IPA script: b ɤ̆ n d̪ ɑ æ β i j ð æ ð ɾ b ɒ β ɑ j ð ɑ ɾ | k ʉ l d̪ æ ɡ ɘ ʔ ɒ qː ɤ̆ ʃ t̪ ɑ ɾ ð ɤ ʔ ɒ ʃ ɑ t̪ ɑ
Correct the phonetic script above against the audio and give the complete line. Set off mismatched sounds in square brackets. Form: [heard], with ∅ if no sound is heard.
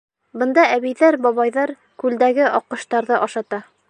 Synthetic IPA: b ɤ̆ n d̪ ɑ æ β i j ð æ [∅] ɾ b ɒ β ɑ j ð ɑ ɾ | k ʉ l d̪ æ ɡ ɘ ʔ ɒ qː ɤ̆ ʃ t̪ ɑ ɾ ð ɤ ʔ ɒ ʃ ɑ t̪ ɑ